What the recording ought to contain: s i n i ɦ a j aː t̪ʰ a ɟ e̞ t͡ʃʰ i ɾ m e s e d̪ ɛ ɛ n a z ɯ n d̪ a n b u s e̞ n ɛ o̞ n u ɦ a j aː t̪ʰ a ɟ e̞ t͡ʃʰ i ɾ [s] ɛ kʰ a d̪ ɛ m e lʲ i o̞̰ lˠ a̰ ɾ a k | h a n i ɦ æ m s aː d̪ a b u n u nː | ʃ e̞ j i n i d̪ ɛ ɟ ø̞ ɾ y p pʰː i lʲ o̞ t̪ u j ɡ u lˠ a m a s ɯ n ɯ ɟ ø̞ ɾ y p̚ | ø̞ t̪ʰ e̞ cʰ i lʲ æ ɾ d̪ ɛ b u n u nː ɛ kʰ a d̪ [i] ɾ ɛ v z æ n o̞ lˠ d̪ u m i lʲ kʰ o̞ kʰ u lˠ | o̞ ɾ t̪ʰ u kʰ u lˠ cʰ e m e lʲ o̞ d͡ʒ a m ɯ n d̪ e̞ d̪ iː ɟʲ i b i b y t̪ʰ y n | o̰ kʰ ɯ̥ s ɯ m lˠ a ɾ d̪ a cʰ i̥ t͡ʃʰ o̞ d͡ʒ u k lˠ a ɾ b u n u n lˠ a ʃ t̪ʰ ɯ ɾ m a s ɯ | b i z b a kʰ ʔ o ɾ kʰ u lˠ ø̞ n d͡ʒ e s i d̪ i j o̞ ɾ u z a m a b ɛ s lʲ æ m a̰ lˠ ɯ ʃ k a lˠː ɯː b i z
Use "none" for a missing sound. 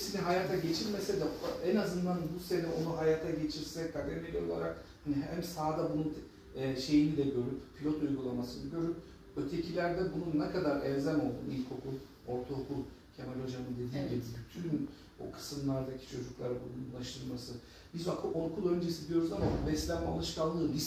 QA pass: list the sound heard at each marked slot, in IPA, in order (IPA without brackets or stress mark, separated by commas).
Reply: s, a